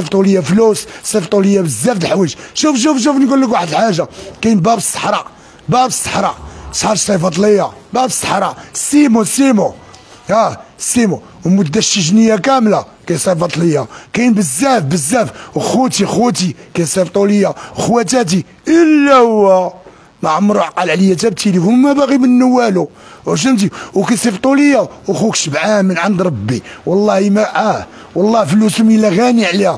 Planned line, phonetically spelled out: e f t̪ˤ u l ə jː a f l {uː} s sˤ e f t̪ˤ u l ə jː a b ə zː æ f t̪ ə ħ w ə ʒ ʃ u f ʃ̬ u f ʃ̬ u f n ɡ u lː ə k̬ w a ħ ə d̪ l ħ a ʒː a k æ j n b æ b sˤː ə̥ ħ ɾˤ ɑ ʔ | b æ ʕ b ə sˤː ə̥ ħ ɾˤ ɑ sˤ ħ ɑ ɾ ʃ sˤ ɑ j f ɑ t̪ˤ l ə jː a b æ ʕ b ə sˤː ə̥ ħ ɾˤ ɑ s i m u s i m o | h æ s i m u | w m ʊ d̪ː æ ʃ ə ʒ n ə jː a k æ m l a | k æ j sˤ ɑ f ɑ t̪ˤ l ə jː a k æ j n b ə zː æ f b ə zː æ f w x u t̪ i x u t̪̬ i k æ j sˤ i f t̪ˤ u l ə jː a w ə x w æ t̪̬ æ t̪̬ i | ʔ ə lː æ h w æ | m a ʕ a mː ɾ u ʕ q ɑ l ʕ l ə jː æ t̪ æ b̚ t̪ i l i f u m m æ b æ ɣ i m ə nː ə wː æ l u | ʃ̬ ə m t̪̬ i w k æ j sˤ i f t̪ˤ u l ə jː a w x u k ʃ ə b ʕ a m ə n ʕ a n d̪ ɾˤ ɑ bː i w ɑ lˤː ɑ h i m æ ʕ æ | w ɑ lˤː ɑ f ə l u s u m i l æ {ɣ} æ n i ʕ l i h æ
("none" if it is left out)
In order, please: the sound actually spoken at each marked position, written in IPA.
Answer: u, ɣ

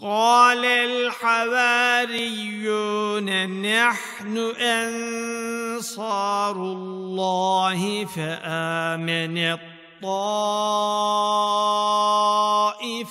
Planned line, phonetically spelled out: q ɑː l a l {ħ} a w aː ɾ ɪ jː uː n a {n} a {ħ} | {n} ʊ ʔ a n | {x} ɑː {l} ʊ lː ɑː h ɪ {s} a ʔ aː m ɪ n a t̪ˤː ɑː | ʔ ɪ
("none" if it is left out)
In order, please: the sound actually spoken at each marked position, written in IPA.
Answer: ħ, n, ħ, n, s, ɾ, f

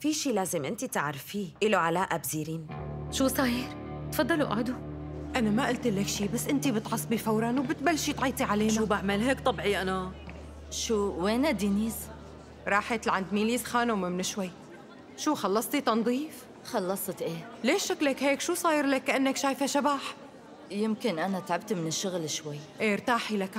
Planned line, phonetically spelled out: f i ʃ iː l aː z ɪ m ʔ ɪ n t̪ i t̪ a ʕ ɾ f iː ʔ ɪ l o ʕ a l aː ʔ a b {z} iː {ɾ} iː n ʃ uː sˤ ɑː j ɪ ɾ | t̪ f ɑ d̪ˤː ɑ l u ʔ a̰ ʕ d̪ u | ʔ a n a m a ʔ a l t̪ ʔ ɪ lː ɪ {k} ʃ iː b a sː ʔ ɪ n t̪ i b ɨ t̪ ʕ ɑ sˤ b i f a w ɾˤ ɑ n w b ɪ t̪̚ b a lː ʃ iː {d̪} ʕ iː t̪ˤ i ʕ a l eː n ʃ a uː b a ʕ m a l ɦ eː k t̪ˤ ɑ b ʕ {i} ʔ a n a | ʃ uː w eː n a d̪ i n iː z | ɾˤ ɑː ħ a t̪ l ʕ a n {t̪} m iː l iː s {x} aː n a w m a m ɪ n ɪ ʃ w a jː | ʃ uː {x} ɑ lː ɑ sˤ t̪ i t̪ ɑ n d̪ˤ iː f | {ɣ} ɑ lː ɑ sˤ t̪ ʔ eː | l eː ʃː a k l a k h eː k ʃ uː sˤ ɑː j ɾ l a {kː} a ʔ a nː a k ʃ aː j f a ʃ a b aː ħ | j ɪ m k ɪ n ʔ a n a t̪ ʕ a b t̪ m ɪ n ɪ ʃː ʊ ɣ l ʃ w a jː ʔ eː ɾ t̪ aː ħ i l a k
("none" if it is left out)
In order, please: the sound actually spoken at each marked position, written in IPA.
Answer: z, ɾ, k, t̪, i, d̪, x, x, x, kː

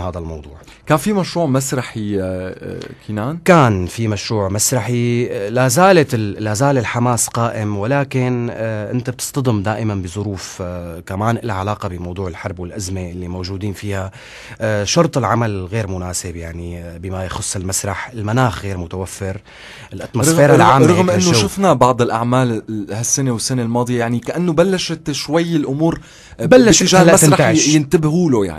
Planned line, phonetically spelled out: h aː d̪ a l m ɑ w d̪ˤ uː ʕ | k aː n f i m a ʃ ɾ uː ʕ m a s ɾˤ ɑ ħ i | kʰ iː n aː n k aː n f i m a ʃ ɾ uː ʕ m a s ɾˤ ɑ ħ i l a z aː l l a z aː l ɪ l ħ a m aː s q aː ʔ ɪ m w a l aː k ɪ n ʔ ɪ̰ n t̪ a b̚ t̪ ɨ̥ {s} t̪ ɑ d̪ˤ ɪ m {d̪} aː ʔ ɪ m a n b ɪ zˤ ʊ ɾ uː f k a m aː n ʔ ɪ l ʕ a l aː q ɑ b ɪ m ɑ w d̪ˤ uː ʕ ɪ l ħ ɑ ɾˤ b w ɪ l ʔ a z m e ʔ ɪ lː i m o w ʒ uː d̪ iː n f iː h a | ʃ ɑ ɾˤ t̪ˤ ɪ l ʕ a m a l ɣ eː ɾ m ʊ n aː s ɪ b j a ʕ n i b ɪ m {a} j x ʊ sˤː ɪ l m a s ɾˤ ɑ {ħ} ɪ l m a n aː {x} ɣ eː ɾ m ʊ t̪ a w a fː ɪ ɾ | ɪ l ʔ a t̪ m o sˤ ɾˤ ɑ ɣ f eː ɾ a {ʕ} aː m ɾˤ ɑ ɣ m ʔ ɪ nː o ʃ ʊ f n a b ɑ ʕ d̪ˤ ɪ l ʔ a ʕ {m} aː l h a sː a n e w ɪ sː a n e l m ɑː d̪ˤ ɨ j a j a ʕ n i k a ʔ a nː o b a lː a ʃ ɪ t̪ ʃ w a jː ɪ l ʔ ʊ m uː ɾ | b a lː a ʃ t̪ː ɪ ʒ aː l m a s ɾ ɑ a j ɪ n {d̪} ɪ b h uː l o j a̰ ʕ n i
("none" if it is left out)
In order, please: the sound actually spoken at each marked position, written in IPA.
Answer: s, d̪, a, ħ, x, ʕ, m, t̪

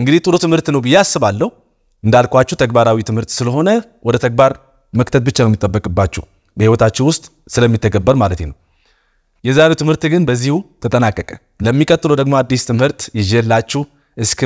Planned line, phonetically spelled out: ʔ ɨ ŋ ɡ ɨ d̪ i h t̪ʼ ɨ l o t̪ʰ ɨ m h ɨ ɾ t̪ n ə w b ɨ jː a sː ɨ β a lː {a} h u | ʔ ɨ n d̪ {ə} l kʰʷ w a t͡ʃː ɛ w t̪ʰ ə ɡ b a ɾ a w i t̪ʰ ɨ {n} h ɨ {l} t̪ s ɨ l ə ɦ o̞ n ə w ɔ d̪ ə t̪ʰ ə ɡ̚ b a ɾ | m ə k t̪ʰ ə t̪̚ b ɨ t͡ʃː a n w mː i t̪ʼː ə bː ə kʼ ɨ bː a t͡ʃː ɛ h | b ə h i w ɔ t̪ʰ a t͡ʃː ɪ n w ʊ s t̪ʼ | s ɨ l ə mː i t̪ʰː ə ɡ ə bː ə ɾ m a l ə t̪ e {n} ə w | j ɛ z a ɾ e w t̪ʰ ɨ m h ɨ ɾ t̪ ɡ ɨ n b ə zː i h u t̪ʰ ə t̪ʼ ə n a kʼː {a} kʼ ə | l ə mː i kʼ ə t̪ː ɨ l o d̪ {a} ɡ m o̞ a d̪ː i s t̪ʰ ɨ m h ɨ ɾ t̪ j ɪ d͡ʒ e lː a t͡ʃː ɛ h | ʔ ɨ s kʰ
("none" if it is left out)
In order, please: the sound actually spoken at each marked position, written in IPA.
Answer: ə, a, m, ɾ, n, ə, ə

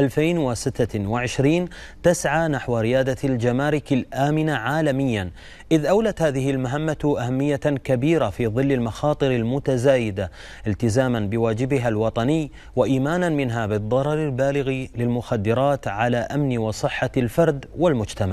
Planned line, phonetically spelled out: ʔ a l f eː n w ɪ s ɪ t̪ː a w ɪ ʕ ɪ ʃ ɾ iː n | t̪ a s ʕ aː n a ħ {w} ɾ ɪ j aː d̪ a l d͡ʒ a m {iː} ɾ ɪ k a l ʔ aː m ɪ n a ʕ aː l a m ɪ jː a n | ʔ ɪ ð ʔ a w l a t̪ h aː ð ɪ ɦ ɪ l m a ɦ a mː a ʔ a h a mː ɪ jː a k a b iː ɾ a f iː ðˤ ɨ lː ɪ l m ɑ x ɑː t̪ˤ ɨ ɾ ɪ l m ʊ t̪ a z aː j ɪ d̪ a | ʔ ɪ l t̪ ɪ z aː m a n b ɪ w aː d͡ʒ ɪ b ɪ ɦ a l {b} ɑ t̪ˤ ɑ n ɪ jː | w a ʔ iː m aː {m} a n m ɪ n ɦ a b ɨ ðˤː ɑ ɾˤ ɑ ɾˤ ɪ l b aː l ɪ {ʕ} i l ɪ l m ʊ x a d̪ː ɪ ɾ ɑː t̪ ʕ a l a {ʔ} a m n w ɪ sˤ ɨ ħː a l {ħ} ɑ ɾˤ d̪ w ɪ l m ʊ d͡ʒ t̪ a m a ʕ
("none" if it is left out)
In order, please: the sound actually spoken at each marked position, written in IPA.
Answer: w, aː, w, n, ɣ, ʔ, f

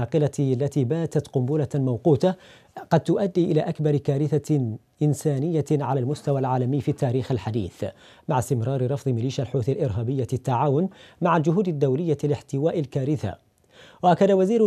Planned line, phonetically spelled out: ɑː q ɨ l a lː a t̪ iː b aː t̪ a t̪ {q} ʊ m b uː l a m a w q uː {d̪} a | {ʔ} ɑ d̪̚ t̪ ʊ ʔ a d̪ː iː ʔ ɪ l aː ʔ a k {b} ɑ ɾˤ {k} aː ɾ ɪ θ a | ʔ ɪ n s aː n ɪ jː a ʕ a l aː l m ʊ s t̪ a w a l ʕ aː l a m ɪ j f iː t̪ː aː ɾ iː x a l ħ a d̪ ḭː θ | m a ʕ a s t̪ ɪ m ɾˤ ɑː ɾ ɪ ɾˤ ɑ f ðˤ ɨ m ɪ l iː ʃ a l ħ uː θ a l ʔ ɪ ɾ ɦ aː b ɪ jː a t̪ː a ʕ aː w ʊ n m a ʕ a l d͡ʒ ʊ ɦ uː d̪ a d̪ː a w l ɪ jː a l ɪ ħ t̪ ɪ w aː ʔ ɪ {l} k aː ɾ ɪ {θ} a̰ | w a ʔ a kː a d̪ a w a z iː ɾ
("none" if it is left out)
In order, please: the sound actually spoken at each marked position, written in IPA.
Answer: q, t̪, q, b, k, l, θ

